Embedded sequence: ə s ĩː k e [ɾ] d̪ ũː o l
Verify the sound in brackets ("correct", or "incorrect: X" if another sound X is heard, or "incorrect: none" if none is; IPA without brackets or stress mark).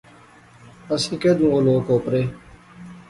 incorrect: none